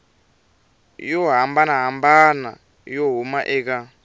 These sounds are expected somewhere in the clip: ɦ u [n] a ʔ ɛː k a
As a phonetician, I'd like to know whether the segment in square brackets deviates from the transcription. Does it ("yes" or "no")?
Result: yes